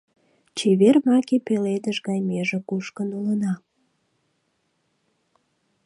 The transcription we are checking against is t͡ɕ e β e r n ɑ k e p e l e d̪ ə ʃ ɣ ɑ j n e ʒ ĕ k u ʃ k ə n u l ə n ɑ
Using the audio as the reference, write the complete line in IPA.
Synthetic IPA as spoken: t͡ɕ e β e r m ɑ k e p e l e d̪ ə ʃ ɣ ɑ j m e ʒ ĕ k u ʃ k ə n u l ə n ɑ

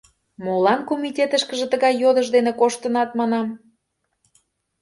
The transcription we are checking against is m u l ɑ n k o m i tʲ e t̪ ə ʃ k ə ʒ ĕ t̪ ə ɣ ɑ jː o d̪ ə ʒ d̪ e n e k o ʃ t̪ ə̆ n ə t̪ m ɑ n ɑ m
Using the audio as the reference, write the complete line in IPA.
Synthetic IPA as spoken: m o l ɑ n k o m i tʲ e t̪ ə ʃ k ə ʒ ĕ t̪ ə ɣ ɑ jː o d̪ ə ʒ d̪ e n e k o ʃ t̪ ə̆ n ɑ t̪ m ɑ n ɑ m

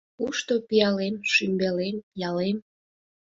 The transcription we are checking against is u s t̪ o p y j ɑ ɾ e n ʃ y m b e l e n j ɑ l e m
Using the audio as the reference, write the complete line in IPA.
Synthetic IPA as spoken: u ʃ t̪ o p i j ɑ l e m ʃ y m b e l e m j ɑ l e m

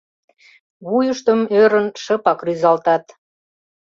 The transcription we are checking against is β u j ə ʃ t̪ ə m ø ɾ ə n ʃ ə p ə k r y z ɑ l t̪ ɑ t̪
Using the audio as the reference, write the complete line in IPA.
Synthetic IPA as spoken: β u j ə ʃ t̪ ə m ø ɾ ə n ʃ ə p ɑ k r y z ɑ l t̪ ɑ t̪

